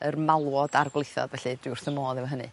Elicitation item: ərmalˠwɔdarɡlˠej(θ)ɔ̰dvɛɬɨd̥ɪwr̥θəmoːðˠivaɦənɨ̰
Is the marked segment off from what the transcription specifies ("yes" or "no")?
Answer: no